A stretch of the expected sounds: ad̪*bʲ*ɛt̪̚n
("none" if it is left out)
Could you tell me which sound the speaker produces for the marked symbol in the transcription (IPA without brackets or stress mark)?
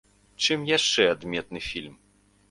mʲ